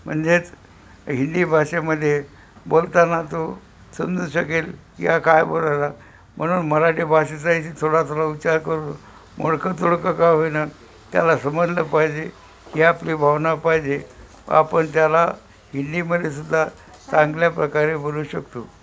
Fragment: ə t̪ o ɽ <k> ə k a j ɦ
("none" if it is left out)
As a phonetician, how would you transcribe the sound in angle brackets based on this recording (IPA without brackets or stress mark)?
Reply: k